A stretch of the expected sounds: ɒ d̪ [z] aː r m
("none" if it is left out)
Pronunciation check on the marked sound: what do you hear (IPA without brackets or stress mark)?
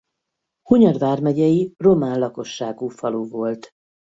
v